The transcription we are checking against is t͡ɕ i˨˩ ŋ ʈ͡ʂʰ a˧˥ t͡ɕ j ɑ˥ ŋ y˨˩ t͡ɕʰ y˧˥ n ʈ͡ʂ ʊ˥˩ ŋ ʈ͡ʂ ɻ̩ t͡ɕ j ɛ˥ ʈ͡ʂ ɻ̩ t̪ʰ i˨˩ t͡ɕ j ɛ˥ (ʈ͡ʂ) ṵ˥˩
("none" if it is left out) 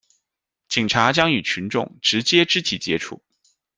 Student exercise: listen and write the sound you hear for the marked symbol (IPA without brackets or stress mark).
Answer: ʈ͡ʂʰ